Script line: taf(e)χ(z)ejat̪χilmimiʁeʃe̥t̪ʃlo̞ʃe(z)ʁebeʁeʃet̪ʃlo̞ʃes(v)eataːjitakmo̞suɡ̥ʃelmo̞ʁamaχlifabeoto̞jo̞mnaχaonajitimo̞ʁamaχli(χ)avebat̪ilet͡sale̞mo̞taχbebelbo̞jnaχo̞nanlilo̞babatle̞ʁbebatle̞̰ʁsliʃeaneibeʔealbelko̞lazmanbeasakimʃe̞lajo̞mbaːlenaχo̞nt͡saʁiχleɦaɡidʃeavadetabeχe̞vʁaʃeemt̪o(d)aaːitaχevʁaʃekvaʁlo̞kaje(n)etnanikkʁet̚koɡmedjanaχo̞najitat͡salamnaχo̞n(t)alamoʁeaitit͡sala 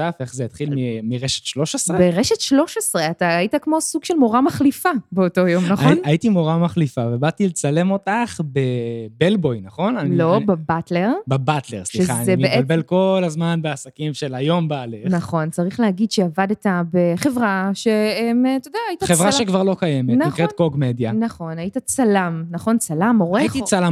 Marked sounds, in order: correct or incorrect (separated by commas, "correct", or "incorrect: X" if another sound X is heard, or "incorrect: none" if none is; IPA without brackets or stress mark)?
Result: correct, correct, incorrect: s, incorrect: ʁ, incorrect: f, correct, incorrect: m, incorrect: t͡s